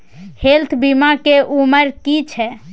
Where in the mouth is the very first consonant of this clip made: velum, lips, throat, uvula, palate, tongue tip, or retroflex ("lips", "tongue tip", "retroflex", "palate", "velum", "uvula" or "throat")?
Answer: throat